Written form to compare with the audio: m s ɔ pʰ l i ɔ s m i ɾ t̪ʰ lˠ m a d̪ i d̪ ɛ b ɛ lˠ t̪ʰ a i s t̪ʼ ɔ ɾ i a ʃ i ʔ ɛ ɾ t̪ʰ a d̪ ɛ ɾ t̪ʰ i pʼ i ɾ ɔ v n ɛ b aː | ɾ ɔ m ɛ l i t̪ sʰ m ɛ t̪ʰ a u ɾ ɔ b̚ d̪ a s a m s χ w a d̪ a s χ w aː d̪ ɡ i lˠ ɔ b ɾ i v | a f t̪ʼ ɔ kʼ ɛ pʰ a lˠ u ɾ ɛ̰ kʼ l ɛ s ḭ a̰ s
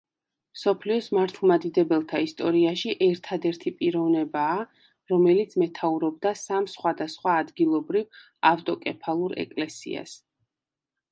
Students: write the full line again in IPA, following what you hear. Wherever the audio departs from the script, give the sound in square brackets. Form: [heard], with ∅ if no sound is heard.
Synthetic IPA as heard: m s ɔ pʰ l i ɔ s m [a] ɾ t̪ʰ lˠ m a d̪ i d̪ ɛ b ɛ lˠ t̪ʰ a i s t̪ʼ ɔ ɾ i a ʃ i ʔ ɛ ɾ t̪ʰ a d̪ ɛ ɾ t̪ʰ i pʼ i ɾ ɔ v n ɛ b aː | ɾ ɔ m ɛ l i t̪ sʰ m ɛ t̪ʰ a u ɾ ɔ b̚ d̪ a s a m s χ w a d̪ a s χ w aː d̪ ɡ i lˠ ɔ b ɾ i v | a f t̪ʼ ɔ kʼ ɛ pʰ a lˠ u ɾ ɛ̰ kʼ l ɛ s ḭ a̰ s